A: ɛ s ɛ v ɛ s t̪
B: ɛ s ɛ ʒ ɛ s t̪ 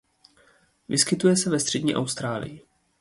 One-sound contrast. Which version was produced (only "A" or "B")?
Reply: A